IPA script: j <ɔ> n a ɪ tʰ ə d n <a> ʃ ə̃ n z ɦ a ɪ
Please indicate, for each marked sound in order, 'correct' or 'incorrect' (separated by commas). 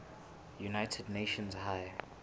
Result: incorrect, incorrect